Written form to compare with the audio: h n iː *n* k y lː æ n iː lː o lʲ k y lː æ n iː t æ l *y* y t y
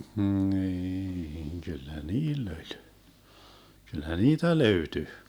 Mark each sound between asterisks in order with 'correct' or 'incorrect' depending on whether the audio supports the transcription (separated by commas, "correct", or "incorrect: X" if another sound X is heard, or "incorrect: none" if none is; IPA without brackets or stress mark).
incorrect: ŋ, incorrect: ø